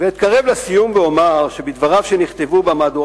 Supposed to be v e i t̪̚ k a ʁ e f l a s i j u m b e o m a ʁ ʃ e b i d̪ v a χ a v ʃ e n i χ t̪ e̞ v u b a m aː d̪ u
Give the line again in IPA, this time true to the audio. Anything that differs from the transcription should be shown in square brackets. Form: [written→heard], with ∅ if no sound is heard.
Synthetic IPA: v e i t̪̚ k a ʁ e [f→v] l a s i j u m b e o m a ʁ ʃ e b i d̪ v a [χ→ʁ] a v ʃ e n i χ t̪ e̞ v u b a m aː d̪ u